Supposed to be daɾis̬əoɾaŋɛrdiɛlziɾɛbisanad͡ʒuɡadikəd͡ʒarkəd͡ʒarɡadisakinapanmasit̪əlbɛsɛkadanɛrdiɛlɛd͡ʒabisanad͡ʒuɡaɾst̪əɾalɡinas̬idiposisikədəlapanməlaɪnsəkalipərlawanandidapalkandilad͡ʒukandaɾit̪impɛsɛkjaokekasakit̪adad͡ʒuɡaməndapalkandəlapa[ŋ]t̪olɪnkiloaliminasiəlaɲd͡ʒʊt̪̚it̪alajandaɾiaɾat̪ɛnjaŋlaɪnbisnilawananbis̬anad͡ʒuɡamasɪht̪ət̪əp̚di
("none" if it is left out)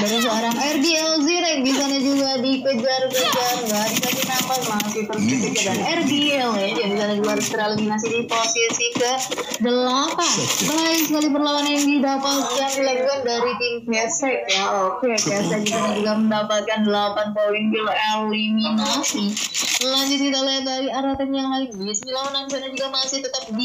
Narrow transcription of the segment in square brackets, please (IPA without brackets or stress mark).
n